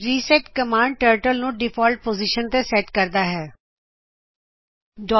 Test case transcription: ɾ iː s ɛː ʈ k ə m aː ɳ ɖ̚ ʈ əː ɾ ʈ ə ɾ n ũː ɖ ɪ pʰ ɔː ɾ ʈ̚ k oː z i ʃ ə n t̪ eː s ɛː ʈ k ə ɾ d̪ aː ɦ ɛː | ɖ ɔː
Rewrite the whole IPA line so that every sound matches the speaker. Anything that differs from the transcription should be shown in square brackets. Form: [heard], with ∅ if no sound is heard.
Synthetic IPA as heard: ɾ iː s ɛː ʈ k ə m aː ɳ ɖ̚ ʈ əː ɾ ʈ ə [l] n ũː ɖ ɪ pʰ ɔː [l] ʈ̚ [p] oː z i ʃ ə n t̪ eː s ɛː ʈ k ə ɾ d̪ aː ɦ ɛː | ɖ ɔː